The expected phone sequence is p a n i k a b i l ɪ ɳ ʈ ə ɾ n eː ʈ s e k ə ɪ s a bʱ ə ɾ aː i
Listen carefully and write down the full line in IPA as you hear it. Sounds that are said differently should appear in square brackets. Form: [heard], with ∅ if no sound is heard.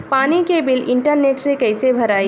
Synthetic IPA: p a n i k [e] b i l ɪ ɳ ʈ ə ɾ n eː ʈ s e k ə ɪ s [e] bʱ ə ɾ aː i